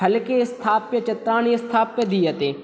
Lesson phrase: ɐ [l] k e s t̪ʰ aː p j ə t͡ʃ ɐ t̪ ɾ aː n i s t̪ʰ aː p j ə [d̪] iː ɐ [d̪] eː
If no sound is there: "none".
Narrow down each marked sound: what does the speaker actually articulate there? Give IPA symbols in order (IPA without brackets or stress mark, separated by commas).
l, d̪, t̪